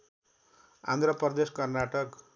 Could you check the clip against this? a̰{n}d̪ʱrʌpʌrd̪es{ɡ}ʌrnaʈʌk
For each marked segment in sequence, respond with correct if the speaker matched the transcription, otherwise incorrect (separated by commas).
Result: correct, incorrect